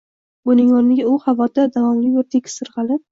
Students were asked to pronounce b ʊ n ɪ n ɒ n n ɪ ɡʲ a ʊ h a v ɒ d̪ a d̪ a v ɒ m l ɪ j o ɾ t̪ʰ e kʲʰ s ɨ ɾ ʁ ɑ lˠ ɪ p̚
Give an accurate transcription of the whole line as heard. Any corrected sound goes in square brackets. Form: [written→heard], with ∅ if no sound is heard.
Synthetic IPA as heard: b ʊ n ɪ [n→ŋ] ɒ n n ɪ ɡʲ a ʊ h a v ɒ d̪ a d̪ a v ɒ m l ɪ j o ɾ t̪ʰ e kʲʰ s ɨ ɾ ʁ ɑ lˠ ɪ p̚